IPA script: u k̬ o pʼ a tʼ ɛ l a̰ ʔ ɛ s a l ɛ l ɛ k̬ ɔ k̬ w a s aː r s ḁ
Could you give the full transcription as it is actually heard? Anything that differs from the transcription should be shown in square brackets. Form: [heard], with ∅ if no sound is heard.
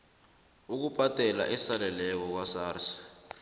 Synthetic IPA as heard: u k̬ [u] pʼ a tʼ ɛ l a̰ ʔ ɛ s a l ɛ l ɛ k̬ ɔ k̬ w a s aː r s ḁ